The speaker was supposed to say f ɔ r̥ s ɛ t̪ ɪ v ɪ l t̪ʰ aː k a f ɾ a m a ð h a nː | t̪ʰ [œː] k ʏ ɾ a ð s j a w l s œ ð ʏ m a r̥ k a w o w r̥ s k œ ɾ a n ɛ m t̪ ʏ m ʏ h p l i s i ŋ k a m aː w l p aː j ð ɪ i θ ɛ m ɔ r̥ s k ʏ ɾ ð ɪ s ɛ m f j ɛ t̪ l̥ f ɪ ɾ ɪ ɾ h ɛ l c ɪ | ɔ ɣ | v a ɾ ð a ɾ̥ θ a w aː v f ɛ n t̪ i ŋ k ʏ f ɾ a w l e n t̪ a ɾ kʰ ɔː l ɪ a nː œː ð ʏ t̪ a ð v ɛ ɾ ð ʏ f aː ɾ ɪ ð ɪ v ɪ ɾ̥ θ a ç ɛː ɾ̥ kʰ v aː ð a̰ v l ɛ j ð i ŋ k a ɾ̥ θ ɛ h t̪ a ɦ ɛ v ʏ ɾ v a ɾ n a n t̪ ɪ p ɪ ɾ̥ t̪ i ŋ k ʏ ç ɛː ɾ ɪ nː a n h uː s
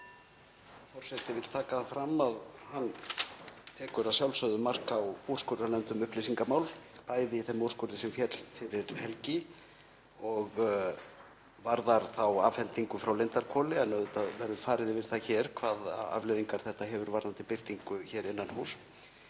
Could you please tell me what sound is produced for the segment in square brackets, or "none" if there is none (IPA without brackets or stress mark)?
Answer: ɛː